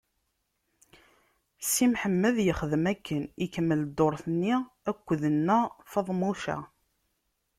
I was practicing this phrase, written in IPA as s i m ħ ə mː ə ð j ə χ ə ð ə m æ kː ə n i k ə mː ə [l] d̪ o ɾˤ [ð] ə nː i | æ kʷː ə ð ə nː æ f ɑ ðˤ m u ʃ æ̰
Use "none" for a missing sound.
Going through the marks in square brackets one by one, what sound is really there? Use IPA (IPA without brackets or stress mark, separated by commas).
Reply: l, θ